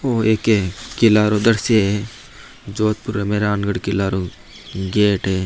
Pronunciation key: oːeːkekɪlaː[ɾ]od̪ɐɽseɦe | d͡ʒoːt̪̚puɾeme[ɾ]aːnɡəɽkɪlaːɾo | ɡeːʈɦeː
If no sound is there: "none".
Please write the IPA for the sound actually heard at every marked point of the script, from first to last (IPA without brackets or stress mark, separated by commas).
ɾ, ɾ